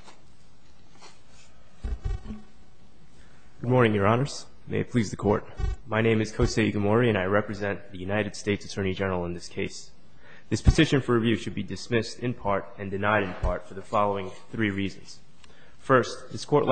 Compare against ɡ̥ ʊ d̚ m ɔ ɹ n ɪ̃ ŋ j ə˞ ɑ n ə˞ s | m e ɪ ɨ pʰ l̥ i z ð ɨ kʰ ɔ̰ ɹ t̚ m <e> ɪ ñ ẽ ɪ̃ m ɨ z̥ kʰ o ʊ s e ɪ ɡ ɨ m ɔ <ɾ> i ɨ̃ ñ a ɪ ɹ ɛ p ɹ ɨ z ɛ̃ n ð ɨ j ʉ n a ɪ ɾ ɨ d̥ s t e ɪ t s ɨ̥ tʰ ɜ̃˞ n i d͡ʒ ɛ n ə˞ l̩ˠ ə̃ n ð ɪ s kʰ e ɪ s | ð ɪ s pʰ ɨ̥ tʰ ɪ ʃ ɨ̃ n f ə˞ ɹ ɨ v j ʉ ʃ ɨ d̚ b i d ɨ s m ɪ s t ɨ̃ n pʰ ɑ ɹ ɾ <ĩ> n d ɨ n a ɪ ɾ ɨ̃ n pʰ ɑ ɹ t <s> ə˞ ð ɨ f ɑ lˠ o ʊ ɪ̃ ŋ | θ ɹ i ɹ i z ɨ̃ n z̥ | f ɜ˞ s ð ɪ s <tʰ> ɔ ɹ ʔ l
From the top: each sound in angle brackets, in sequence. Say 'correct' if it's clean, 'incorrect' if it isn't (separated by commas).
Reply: incorrect, incorrect, incorrect, incorrect, incorrect